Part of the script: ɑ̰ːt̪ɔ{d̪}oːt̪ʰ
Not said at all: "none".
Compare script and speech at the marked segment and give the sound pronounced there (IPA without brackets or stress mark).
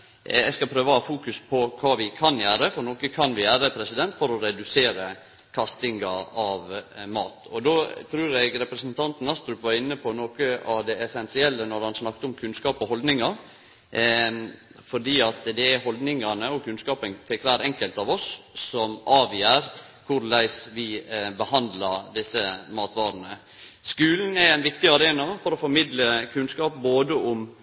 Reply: d̪